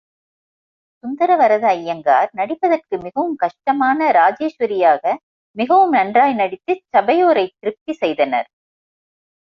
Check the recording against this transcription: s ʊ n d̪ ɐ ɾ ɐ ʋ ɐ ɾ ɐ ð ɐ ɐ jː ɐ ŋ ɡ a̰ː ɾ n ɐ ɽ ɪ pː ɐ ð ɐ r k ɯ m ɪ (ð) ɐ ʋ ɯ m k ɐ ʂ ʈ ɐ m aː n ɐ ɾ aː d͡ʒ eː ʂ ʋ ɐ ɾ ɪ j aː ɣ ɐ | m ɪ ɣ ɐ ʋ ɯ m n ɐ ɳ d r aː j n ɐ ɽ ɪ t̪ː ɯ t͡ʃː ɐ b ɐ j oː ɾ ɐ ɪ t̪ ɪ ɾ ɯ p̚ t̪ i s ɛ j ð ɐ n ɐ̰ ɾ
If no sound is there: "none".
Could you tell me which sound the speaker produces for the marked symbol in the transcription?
ɣ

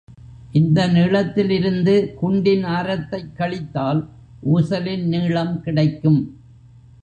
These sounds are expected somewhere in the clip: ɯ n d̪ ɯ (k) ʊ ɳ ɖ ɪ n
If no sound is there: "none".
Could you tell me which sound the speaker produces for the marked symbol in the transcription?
k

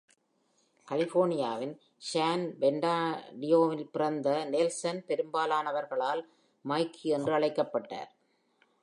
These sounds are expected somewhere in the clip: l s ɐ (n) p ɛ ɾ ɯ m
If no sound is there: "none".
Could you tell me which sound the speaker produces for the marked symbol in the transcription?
n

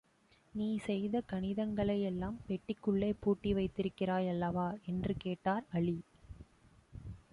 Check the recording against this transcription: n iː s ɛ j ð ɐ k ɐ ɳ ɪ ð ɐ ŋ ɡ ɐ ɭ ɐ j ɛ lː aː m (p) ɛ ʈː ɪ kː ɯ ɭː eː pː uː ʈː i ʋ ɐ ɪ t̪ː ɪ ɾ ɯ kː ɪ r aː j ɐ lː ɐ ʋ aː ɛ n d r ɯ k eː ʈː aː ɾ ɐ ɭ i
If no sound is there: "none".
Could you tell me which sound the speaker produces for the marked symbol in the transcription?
p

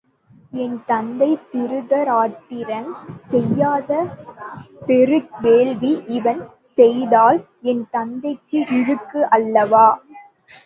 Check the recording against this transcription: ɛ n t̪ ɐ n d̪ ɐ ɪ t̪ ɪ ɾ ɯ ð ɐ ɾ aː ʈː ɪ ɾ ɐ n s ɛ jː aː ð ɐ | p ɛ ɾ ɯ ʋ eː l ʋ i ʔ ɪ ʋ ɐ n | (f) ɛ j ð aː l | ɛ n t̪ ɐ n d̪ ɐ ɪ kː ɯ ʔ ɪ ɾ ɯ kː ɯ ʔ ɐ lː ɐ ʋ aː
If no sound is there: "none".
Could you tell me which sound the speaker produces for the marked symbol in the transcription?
s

